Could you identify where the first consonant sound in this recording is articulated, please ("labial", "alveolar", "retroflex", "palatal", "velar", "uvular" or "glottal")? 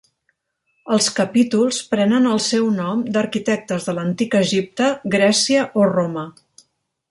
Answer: alveolar